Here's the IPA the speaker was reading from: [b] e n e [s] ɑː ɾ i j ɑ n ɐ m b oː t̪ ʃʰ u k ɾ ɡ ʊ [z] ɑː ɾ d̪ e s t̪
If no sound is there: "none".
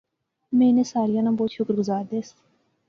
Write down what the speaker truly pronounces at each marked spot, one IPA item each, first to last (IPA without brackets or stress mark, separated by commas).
m, s, z